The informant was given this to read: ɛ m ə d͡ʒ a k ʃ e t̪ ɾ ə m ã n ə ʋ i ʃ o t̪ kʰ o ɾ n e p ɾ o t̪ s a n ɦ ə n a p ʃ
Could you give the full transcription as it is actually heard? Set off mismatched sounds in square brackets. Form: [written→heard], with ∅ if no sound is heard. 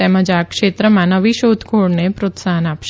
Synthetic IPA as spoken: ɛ m ə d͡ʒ a k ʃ e t̪ ɾ ə m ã n ə ʋ i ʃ o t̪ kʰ o [ɾ→ɽ] n e p ɾ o t̪ s a [n→∅] ɦ ə n a p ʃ